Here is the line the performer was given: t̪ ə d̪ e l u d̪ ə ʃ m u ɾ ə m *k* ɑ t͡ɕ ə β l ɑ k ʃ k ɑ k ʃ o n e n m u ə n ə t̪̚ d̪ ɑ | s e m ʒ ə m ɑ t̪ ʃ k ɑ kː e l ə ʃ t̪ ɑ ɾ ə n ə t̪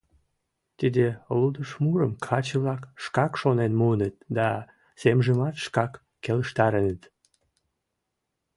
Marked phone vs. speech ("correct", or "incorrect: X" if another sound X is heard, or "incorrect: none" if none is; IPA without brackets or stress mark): incorrect: kʰ